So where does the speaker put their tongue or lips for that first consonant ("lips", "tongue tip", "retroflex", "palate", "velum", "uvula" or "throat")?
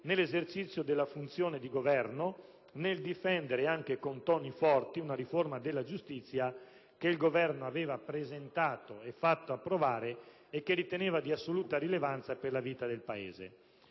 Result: tongue tip